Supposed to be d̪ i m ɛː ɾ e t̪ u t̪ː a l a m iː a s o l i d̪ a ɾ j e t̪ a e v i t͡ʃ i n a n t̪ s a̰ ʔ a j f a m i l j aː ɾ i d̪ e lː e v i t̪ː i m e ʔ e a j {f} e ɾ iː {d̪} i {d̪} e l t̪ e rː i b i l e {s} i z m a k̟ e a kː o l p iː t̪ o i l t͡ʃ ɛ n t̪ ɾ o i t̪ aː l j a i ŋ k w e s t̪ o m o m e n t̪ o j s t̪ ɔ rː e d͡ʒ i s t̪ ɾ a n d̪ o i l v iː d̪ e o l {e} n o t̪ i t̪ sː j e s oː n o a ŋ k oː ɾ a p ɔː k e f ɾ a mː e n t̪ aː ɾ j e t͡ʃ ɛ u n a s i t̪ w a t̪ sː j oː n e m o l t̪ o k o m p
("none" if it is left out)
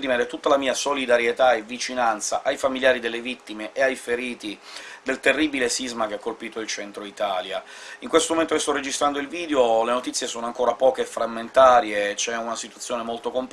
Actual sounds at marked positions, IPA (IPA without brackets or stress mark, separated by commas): f, t̪, d̪, s, e